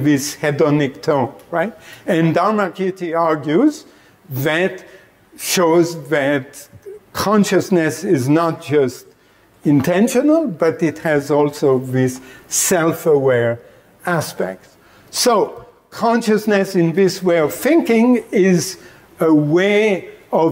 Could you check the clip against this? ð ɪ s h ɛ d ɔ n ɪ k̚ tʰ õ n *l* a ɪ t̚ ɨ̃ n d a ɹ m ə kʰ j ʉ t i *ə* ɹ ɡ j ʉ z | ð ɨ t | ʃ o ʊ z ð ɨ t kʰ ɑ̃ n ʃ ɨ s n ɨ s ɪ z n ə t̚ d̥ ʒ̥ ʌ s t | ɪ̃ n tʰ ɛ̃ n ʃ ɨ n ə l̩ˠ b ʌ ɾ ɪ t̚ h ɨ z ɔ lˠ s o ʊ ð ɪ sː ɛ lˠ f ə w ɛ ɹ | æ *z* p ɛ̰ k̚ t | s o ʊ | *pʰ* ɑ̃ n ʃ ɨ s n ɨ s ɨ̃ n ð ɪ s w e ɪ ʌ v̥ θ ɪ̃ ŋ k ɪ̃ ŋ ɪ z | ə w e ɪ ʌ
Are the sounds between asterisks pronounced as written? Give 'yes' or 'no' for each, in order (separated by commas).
no, no, no, no